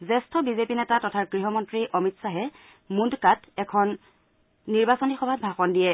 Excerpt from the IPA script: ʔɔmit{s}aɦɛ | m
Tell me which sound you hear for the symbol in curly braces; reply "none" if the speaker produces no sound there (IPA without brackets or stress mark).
s